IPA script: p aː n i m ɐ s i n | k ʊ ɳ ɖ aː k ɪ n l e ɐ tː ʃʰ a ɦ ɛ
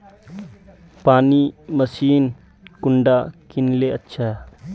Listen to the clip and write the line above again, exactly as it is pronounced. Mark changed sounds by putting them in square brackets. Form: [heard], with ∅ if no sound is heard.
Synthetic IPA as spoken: p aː n i m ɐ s [iː] n | k ʊ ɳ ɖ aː k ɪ n l e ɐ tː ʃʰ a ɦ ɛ